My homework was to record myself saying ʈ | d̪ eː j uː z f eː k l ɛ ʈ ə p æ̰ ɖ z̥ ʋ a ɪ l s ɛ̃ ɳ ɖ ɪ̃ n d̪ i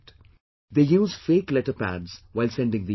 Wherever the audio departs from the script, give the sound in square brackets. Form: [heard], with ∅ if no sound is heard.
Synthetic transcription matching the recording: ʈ | d̪ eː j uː z f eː k l ɛ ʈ ə p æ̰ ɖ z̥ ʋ a ɪ l s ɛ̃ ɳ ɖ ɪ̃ [ŋ] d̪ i